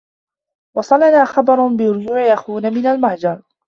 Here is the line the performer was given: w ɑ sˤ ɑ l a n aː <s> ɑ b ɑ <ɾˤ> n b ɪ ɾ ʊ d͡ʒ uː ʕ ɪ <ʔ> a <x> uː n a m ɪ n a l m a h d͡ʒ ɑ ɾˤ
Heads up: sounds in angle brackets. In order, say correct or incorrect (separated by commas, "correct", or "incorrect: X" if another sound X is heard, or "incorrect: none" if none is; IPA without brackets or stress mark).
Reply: incorrect: x, correct, correct, correct